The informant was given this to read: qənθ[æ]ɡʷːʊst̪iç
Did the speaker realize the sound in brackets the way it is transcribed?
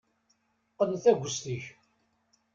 yes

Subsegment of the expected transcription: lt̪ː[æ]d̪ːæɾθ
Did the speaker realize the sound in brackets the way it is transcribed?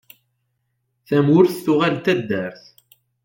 yes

